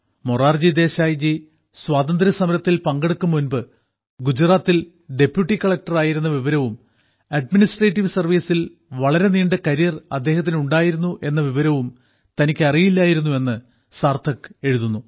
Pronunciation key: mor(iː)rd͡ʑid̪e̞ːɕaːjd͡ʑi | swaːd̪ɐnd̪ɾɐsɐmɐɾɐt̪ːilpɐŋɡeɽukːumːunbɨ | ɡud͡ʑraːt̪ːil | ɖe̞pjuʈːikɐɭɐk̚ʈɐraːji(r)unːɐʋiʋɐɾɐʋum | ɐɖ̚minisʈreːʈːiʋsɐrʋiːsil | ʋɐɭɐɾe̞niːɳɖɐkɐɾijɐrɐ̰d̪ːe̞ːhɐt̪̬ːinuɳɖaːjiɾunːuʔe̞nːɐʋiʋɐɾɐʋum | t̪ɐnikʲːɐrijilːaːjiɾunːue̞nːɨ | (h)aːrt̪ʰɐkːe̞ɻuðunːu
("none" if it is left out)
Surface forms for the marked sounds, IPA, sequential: aː, ɾ, s

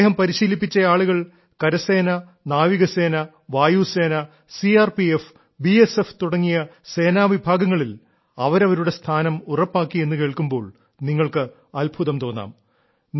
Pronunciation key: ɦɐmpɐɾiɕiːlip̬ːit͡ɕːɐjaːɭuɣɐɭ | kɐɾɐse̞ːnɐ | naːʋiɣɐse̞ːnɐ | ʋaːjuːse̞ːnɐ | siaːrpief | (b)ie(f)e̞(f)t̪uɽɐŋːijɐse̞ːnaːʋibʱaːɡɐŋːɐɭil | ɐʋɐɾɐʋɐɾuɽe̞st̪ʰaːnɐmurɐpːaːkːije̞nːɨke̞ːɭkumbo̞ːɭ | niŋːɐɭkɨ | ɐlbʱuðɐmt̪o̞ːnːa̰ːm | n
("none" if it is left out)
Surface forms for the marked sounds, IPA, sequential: b, s, f

